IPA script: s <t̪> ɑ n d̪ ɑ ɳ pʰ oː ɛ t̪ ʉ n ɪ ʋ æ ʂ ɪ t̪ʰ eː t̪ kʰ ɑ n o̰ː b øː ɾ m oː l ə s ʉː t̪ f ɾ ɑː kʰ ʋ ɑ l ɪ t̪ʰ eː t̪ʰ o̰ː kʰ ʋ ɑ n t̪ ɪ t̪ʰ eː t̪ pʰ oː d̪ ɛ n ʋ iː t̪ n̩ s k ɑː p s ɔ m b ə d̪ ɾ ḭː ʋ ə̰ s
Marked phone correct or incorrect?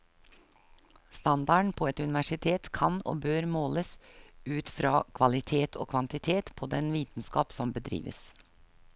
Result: correct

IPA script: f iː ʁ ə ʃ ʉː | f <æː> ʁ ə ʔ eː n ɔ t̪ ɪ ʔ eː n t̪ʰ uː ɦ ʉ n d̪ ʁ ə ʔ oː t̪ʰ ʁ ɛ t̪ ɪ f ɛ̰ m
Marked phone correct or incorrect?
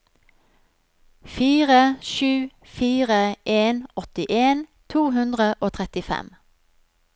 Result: incorrect: iː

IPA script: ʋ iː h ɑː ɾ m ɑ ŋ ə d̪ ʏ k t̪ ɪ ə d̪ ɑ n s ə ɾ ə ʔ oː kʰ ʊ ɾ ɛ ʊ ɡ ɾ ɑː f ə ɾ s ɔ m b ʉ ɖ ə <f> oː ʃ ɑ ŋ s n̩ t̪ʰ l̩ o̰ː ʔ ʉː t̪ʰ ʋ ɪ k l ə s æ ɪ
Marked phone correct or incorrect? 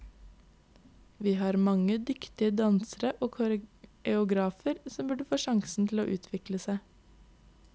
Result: correct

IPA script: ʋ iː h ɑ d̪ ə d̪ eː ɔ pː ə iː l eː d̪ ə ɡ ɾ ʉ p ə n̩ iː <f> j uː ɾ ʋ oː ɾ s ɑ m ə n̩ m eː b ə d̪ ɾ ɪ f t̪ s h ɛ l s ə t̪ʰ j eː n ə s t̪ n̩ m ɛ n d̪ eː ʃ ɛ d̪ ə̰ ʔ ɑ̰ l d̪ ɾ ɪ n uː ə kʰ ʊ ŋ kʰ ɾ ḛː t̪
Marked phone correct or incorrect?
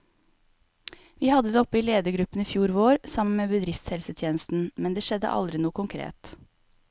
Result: correct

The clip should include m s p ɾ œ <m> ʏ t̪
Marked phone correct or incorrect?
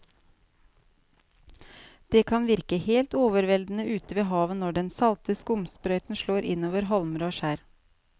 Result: incorrect: none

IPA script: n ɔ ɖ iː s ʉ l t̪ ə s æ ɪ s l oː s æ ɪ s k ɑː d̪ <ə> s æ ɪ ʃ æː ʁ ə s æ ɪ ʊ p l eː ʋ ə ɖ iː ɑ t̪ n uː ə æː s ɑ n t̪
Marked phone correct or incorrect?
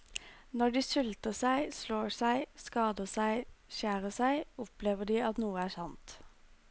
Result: correct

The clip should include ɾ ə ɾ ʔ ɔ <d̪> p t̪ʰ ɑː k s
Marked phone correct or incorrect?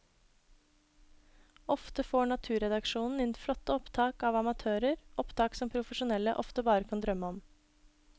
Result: incorrect: none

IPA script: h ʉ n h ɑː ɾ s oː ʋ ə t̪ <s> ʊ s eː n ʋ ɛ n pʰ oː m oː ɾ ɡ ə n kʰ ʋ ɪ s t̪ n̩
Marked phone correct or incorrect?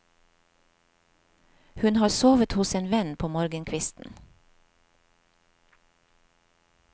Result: incorrect: h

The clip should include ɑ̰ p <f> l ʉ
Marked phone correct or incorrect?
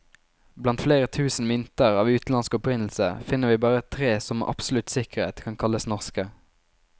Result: incorrect: s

